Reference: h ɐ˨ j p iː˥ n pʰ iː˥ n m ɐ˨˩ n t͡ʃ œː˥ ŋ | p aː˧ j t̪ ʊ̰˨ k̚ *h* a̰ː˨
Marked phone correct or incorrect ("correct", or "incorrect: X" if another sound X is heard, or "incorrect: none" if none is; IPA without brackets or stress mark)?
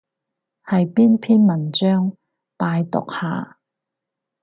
correct